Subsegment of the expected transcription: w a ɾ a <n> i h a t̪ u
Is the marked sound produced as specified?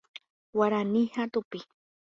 yes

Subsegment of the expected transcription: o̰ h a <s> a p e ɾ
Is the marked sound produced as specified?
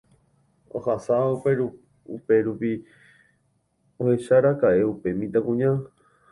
yes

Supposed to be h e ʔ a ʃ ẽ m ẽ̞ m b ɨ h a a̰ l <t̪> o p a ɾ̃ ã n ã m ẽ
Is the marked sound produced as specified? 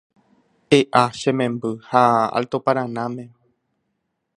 yes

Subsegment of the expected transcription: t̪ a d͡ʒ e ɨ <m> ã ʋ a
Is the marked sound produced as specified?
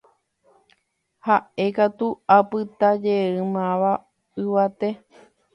yes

